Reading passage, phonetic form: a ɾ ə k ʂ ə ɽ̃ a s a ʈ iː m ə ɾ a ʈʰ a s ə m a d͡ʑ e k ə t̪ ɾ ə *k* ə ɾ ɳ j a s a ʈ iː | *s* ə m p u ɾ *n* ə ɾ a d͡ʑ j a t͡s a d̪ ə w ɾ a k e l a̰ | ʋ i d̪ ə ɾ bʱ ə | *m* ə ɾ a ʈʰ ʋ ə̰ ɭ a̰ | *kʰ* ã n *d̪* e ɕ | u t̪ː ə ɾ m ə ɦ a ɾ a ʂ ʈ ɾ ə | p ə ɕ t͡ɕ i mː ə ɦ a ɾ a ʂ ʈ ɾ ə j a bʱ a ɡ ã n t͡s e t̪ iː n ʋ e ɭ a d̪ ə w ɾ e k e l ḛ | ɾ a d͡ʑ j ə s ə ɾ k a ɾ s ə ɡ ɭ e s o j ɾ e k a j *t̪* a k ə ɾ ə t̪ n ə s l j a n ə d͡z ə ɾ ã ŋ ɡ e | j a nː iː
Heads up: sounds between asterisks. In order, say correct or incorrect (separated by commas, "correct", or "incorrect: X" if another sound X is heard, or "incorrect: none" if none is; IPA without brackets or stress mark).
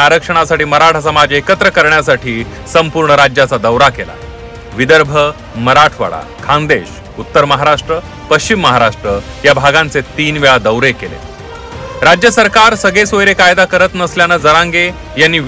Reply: correct, correct, incorrect: ɳ, correct, correct, correct, incorrect: d̪